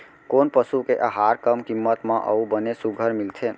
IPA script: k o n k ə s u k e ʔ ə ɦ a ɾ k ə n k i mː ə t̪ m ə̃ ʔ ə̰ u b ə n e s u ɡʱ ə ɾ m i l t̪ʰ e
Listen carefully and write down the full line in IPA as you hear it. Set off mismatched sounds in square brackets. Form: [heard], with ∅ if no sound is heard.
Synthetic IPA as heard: k o n [p] ə s u k e ʔ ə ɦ a ɾ k ə [m] k i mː ə t̪ m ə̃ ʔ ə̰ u b ə n e s u ɡʱ ə ɾ m i l t̪ʰ e